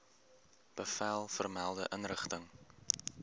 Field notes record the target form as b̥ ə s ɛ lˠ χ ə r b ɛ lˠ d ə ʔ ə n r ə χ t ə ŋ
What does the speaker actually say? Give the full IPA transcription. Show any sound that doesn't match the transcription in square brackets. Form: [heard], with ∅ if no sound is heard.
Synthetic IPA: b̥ ə [f] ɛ lˠ [f] ə r [m] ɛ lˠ d ə ʔ ə n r ə χ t ə ŋ